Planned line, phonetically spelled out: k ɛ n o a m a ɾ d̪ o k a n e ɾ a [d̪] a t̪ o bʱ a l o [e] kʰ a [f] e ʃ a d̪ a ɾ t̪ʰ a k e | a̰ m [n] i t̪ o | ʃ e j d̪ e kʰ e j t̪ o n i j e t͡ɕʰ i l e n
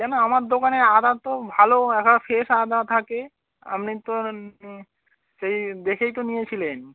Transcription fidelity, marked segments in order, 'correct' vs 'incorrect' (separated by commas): correct, incorrect, correct, correct